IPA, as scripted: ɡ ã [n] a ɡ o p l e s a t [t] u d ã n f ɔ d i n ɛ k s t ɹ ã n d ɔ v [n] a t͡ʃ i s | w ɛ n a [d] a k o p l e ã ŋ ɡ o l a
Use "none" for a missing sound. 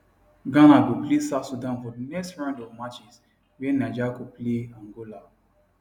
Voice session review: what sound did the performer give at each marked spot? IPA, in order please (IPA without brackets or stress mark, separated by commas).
n, s, m, d͡ʒ